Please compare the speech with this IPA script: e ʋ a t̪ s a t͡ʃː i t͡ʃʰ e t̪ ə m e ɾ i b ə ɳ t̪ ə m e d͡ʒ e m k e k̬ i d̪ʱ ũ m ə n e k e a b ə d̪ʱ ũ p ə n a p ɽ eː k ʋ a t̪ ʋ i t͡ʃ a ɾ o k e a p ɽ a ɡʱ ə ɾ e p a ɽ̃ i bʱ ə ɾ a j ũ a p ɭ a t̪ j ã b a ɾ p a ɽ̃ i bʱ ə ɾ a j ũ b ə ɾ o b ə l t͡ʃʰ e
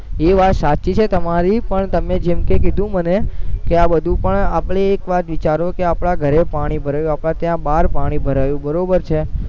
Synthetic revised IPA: e ʋ a t̪ s a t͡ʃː i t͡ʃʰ e t̪ ə m a ɾ i p ə ɳ t̪ ə m e d͡ʒ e m k e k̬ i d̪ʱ ũ m ə n e k e a b ə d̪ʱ ũ p ə ɳ a p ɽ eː k ʋ a t̪ ʋ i t͡ʃ a ɾ o k e a p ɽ a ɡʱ ə ɾ e p a ɽ̃ i bʱ ə ɾ a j ũ a p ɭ a t̪ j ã b a ɾ p a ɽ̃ i bʱ ə ɾ a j ũ b ə ɾ o b ə ɾ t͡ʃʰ e